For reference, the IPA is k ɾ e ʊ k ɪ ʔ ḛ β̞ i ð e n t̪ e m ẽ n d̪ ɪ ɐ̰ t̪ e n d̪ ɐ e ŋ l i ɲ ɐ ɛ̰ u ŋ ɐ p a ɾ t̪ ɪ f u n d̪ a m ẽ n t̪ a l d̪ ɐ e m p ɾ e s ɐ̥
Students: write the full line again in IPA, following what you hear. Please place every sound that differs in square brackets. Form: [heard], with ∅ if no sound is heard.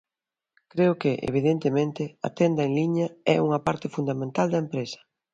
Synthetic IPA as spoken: k ɾ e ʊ k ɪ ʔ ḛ β̞ i ð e n t̪ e m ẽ n [t̪] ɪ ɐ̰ t̪ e n d̪ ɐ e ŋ l i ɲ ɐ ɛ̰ u ŋ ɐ p a ɾ t̪ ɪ f u n d̪ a m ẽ n t̪ a l d̪ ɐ e m p ɾ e s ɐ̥